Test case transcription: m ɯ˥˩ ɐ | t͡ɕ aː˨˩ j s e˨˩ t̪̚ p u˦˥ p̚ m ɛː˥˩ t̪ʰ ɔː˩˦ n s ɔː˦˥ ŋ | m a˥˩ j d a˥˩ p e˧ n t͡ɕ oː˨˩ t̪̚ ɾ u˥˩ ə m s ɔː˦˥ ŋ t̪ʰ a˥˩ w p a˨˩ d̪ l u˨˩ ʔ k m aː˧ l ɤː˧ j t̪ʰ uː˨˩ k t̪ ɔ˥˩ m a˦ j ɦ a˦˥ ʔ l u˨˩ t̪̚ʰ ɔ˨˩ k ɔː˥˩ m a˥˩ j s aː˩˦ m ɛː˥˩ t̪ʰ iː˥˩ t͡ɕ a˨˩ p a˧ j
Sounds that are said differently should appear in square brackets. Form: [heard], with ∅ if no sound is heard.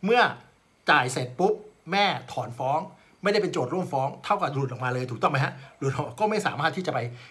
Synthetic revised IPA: m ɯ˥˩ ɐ | t͡ɕ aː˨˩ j s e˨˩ t̪̚ p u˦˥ p̚ m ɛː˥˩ t̪ʰ ɔː˩˦ n [f] ɔː˦˥ ŋ | m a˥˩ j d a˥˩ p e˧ n t͡ɕ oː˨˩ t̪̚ ɾ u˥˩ ə m [f] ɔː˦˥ ŋ t̪ʰ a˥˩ w [k] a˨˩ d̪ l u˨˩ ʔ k m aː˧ l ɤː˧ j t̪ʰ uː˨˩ k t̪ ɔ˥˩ m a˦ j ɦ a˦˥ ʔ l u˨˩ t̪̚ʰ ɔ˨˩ k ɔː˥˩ m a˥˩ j s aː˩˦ m [aː˥˩] t̪ʰ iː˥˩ t͡ɕ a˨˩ p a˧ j

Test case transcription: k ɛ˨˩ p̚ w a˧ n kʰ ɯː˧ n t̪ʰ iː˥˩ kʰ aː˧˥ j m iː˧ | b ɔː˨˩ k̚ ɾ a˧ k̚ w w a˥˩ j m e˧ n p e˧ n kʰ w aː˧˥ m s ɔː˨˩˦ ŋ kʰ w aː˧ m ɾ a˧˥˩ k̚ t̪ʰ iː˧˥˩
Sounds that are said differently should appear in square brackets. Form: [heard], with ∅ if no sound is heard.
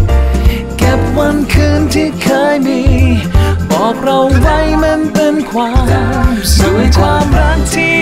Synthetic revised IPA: k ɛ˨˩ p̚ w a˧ n kʰ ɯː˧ n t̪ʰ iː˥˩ kʰ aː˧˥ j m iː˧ | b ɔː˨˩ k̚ ɾ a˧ [∅] w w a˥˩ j m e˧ n p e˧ n kʰ w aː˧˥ m s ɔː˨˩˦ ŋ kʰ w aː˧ m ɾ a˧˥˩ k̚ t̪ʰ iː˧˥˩

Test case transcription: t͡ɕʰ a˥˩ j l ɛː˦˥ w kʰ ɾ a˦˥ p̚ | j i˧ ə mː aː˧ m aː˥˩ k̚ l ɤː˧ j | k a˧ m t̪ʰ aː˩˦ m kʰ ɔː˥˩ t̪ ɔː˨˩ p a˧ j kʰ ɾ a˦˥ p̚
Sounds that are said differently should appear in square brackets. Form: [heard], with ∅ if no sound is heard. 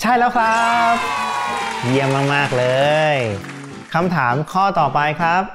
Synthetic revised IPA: t͡ɕʰ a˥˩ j l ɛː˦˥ w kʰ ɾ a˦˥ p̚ | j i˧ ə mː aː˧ m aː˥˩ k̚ l ɤː˧ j | [kʰ] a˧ m t̪ʰ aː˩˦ m kʰ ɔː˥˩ t̪ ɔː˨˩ p a˧ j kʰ ɾ a˦˥ p̚

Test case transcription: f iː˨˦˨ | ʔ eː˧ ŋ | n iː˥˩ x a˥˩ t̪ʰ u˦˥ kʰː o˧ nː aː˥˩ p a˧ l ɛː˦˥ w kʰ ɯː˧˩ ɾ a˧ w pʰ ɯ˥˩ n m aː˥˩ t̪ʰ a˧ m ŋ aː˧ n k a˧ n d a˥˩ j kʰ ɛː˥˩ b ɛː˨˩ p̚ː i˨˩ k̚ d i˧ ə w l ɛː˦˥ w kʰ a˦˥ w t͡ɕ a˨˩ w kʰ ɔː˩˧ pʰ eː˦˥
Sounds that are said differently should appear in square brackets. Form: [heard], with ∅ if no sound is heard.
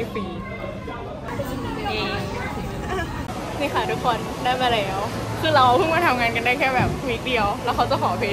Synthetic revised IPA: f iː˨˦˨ | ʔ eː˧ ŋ | n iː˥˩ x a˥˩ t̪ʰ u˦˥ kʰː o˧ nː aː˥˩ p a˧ l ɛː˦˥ w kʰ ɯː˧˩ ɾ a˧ w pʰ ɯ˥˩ [ŋ] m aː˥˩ t̪ʰ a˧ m ŋ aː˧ n k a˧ n d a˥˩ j kʰ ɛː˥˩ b ɛː˨˩ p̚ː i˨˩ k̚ d i˧ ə w l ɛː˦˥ w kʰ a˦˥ w t͡ɕ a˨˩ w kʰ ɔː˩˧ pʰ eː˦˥

